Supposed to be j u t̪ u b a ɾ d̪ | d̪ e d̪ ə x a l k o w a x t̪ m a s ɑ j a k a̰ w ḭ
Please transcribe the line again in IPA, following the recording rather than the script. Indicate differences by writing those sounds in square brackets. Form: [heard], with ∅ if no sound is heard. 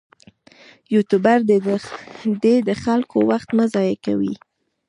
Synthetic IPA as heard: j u t̪ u b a ɾ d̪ | d̪ e d̪ ə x a l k o w a x t̪ m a [z] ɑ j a k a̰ w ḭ